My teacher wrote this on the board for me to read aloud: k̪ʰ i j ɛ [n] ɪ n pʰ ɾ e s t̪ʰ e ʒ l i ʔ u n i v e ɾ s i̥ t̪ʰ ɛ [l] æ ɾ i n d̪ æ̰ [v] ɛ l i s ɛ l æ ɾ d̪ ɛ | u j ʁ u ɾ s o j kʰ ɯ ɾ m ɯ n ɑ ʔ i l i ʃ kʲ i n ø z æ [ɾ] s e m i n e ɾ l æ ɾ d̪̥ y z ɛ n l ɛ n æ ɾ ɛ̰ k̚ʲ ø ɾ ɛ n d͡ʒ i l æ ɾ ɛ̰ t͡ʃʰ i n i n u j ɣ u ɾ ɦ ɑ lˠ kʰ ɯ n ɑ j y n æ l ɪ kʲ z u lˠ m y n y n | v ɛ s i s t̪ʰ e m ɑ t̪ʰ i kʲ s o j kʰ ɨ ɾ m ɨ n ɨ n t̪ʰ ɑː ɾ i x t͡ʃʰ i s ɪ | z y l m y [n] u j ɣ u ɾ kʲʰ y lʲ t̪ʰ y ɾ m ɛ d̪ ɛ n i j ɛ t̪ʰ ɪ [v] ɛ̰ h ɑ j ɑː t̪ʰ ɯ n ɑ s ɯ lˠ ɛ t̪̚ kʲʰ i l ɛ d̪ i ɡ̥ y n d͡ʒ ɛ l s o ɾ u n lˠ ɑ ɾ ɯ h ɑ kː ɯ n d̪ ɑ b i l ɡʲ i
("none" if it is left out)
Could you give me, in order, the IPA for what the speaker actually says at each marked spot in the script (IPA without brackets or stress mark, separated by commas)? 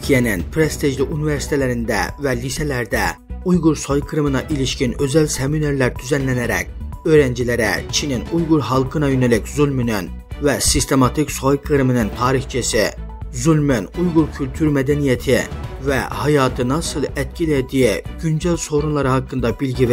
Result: n, l, v, l, n, v